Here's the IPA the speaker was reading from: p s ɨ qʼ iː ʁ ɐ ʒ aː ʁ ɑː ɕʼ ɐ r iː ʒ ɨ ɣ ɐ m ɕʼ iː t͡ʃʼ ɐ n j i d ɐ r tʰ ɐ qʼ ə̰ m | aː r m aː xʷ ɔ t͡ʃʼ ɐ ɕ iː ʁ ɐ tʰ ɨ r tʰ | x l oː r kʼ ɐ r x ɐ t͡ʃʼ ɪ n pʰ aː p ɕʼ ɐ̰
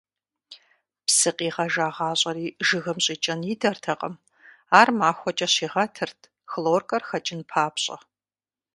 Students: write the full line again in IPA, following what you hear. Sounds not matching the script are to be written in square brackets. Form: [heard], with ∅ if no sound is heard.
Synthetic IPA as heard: p s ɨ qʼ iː ʁ ɐ ʒ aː ʁ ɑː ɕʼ ɐ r iː ʒ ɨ ɣ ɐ m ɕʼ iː t͡ʃʼ ɐ n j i d ɐ r tʰ ɐ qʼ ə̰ m | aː r m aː xʷ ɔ t͡ʃʼ ɐ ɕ iː ʁ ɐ tʰ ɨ r tʰ | x l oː r kʼ ɐ r x ɐ t͡ʃʼ ɪ n pʰ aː p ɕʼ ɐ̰